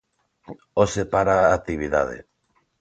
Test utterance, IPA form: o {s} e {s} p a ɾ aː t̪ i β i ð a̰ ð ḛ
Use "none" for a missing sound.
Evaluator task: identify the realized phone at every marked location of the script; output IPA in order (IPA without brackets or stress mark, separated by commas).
s, none